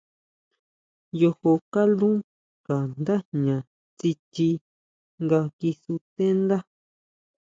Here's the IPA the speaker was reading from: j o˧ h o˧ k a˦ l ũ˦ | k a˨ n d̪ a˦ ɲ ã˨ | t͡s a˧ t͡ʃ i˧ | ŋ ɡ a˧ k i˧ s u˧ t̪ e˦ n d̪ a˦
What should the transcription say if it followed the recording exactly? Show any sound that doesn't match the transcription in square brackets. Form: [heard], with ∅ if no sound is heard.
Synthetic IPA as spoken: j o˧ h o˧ k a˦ l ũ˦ | k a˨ n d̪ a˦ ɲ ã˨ | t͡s [i˧] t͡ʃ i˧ | ŋ ɡ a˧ k i˧ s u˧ t̪ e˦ n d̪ a˦